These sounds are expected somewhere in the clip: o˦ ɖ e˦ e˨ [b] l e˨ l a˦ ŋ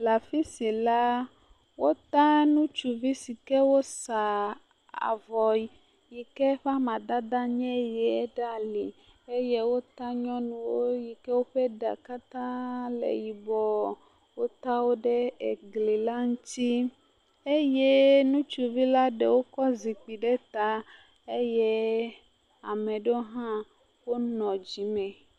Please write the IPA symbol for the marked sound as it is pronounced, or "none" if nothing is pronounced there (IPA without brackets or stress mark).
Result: ɡ